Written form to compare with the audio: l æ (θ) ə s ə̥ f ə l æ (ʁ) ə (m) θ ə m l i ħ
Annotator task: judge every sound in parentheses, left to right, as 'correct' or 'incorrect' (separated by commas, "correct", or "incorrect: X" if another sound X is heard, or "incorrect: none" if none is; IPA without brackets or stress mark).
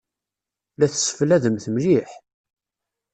correct, incorrect: ð, correct